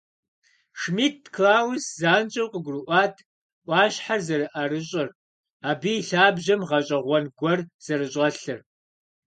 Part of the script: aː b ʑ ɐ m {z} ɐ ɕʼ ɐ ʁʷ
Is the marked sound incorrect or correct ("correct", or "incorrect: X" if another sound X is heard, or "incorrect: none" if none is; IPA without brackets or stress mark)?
incorrect: ʁ